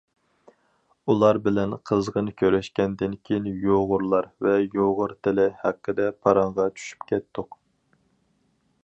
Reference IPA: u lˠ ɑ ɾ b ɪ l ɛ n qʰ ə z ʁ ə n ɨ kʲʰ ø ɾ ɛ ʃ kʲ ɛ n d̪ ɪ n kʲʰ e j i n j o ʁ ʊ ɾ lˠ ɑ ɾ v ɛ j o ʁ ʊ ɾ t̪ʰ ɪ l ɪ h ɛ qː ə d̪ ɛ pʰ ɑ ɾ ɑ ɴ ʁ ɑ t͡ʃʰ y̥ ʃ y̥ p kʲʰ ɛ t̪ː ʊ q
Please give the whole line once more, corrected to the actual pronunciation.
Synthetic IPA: u lˠ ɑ ɾ b ɪ l ɛ n qʰ ə z ʁ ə n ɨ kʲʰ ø ɾ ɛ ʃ kʲ ɛ n d̪ ɪ n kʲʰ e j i n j o ʁ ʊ ɾ lˠ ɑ ɾ v ɛ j o ʁ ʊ ɾ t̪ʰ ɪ l ɪ h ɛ qː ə d̪ ɛ pʰ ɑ ɾ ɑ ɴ ʁ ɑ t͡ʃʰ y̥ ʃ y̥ p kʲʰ ɛ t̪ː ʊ q